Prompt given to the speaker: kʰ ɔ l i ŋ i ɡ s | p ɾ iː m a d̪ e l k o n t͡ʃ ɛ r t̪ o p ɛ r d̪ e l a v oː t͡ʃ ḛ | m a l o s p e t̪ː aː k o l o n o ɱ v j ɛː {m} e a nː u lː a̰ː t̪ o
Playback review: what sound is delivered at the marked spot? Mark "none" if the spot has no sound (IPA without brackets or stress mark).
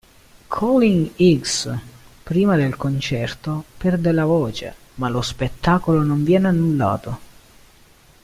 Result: n